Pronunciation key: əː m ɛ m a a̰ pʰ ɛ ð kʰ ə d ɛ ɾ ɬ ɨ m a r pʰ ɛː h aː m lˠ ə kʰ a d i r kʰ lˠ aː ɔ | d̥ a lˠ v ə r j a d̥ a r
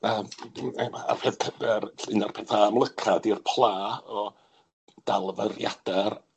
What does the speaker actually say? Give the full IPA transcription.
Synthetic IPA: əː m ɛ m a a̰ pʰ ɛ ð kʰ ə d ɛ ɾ ɬ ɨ n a r pʰ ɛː θ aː m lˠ ə kʰ a d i r pʰ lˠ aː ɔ | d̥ a lˠ v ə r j a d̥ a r